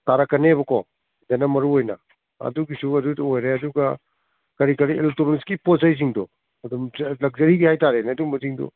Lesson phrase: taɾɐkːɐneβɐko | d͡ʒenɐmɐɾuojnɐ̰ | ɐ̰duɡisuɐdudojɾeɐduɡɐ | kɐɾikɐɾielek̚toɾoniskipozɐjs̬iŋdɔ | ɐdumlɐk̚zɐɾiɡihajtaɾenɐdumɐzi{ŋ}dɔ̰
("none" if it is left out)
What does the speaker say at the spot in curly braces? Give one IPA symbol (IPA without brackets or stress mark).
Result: ŋ